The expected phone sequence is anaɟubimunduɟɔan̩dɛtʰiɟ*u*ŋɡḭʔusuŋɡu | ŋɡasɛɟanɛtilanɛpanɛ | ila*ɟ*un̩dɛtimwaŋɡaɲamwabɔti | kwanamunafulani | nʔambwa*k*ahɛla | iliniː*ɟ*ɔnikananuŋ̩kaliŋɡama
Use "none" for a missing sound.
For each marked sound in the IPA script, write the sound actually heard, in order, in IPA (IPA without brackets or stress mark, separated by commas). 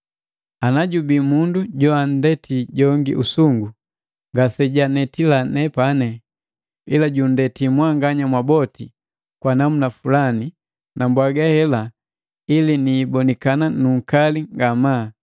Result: ɔ, ɟ, ɡ, b